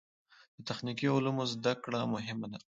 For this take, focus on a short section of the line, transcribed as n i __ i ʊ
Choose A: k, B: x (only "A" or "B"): A